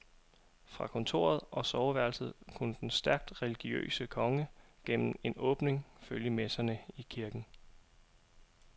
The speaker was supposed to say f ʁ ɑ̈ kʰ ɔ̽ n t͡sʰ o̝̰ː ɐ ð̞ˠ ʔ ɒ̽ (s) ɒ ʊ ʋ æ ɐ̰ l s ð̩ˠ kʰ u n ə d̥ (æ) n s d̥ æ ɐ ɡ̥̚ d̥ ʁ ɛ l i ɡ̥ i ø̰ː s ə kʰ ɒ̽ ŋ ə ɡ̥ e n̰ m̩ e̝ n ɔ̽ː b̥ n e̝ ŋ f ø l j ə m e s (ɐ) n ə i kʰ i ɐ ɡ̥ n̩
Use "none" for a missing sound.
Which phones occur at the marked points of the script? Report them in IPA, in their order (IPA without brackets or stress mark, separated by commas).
s, e, ɐ